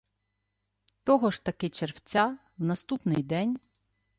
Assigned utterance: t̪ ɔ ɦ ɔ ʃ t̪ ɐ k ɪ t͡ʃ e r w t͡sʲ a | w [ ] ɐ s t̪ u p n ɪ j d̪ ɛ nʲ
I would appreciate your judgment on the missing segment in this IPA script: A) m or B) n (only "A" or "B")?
B